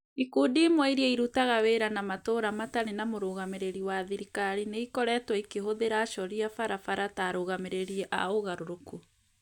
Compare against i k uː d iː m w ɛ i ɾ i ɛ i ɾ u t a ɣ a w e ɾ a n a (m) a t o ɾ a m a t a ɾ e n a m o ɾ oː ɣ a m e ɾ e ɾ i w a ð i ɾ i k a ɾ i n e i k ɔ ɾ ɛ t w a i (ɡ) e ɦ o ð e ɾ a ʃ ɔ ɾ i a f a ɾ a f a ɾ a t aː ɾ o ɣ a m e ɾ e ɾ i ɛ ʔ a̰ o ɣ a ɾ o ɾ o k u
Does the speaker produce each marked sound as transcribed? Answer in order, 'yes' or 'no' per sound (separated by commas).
yes, no